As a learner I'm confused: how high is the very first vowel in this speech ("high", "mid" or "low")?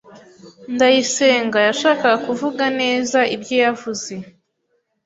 low